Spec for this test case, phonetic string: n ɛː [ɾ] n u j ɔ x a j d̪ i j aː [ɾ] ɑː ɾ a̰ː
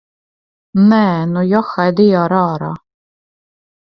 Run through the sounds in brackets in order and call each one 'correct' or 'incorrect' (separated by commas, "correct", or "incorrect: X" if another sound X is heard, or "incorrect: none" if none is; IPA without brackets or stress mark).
incorrect: none, correct